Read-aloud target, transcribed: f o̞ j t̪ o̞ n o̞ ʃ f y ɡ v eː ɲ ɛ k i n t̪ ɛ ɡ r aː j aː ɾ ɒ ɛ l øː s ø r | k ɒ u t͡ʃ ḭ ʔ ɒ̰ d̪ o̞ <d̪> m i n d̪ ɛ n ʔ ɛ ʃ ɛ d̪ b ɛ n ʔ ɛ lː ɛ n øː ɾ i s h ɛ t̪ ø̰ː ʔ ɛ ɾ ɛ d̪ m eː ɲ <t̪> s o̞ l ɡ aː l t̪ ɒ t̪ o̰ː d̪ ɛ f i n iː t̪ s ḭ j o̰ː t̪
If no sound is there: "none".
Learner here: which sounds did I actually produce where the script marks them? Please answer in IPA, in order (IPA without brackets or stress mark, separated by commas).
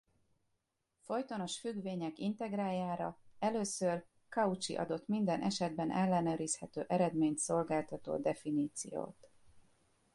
t̪, t̪